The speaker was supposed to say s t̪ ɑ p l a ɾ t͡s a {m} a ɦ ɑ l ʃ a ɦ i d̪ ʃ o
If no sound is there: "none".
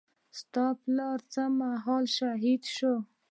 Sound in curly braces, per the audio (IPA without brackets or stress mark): m